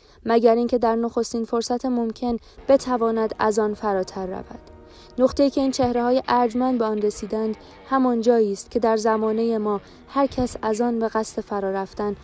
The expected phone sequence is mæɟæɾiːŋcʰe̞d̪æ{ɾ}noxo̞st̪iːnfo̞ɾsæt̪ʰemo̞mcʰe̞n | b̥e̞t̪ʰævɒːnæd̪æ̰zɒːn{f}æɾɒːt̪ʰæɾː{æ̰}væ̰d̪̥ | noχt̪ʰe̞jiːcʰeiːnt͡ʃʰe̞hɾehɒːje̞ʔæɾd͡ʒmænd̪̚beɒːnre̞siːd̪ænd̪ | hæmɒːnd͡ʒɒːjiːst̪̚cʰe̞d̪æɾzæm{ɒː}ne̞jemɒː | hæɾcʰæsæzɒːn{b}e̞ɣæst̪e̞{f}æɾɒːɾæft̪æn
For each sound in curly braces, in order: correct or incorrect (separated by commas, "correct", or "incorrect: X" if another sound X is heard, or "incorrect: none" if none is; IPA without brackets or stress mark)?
correct, correct, correct, correct, correct, correct